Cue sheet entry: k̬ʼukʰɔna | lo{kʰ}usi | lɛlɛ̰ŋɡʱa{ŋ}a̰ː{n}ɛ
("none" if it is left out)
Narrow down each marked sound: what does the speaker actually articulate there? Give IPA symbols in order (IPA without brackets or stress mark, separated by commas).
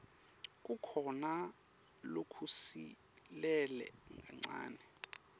kʰ, ŋ͡ǀ, n